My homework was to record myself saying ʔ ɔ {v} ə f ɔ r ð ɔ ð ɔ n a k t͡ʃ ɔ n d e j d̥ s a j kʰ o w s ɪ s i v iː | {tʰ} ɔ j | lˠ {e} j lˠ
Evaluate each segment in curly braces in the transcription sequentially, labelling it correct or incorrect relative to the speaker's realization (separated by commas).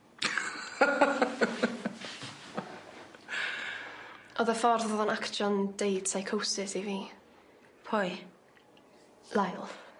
incorrect, incorrect, incorrect